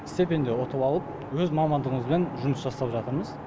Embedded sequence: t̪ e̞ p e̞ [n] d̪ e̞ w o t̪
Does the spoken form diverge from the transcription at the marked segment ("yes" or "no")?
no